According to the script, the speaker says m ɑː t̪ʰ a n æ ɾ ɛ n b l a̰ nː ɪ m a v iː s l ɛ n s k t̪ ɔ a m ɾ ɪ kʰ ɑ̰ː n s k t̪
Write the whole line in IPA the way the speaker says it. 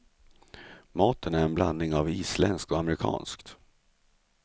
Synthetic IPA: m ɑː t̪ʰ ə n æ ɾ ɛ n b l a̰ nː ɪ ŋ a v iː s l ɛ n s k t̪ ɔ a m ɾ ɪ kʰ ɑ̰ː n s k t̪